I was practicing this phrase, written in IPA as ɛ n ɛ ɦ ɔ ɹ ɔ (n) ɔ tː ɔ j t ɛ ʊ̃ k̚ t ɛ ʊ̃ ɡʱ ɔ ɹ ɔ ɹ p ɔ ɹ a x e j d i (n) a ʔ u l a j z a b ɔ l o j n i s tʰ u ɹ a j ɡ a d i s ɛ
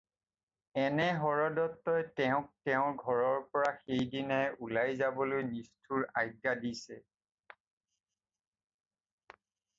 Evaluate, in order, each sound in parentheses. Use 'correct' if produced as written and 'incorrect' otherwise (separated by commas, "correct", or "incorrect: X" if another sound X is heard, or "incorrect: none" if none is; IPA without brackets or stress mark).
incorrect: d, correct